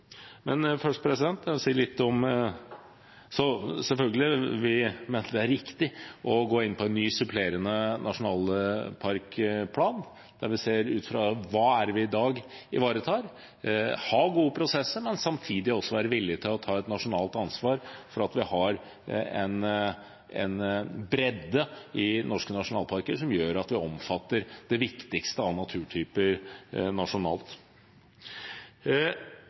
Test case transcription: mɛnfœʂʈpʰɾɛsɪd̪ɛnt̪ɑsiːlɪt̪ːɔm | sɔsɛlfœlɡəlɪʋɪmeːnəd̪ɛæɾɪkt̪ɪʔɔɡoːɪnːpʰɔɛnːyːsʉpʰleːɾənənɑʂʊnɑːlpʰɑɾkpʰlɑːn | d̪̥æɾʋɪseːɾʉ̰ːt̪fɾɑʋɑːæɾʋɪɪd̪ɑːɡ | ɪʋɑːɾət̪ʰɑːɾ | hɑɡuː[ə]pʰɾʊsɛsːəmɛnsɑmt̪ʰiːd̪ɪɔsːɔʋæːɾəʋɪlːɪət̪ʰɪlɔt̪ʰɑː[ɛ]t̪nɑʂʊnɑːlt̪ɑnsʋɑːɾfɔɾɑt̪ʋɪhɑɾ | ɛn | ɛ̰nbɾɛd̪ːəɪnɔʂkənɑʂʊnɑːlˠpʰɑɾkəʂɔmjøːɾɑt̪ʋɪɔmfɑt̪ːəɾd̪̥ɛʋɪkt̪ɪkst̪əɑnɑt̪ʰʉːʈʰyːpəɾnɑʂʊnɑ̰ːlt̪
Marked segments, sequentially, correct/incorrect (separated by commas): correct, correct